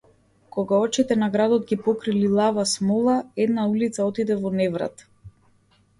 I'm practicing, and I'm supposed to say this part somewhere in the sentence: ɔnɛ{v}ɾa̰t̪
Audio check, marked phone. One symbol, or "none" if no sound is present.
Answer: v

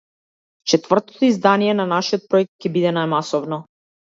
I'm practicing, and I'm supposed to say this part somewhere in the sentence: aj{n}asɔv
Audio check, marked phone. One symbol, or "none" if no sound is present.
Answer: m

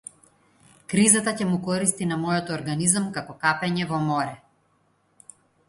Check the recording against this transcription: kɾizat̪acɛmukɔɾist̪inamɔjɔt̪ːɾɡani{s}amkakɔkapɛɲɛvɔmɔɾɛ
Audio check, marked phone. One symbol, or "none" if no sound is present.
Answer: z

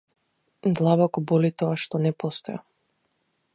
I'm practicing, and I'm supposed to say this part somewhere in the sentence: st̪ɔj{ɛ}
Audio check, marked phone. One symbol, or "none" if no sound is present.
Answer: a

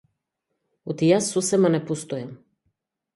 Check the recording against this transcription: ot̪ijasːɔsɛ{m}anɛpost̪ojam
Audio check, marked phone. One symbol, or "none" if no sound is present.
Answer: m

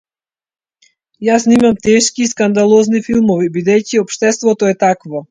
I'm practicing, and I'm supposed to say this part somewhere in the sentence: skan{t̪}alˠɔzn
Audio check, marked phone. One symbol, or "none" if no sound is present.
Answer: d̪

